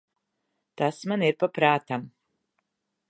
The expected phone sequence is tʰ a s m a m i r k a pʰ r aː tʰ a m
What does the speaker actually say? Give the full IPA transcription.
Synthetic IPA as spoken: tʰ a s m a n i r p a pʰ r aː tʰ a m